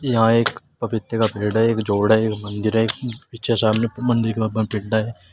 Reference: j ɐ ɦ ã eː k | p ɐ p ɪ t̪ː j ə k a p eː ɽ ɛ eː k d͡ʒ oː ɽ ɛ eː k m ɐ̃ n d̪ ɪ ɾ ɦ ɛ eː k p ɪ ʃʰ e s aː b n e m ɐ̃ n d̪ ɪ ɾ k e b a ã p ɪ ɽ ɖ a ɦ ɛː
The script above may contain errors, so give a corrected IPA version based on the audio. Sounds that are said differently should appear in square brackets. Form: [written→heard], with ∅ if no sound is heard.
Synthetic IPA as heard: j ɐ ɦ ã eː k | p ɐ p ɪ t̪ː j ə k a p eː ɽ ɛ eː k d͡ʒ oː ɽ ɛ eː k m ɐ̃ n d̪ ɪ ɾ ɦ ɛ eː k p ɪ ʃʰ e s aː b n e m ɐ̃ n d̪ ɪ ɾ k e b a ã p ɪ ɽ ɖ a ɦ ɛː